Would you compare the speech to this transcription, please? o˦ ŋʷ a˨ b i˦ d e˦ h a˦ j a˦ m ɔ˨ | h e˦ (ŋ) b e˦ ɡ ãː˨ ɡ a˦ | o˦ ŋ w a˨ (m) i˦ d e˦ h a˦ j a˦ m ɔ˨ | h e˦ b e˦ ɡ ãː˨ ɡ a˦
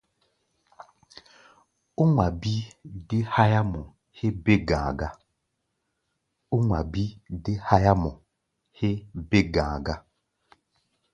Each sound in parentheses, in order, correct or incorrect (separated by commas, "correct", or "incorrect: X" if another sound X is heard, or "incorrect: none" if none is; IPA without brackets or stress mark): incorrect: none, incorrect: b